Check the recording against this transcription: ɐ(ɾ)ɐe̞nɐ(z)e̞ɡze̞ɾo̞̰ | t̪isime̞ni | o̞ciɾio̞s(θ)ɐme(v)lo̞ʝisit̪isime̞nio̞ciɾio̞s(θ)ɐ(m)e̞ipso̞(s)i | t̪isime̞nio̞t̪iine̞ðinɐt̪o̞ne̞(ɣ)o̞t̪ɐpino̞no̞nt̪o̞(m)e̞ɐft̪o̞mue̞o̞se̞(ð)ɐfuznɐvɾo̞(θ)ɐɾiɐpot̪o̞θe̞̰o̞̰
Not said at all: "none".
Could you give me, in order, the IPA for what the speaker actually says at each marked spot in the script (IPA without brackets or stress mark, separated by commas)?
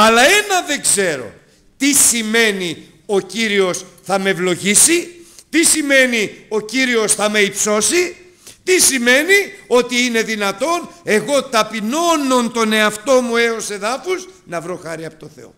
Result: l, ð, θ, v, θ, m, s, ɣ, n, ð, x